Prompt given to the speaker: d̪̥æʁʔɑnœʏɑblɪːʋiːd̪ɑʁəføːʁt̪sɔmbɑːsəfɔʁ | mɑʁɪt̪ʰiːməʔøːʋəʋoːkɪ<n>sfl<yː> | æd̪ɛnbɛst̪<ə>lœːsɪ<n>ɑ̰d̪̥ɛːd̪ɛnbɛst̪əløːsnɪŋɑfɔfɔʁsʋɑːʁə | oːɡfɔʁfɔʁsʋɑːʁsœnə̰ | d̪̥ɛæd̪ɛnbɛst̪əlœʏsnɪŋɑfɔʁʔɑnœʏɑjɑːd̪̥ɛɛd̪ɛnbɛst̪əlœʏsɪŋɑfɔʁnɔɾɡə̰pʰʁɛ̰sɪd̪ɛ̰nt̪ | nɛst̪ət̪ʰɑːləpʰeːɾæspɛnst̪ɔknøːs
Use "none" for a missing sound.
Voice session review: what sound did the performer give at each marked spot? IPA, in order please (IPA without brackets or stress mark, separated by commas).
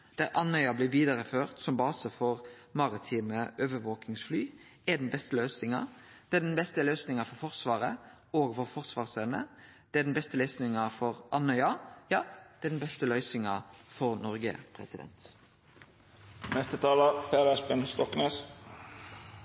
ŋ, yː, ə, ŋ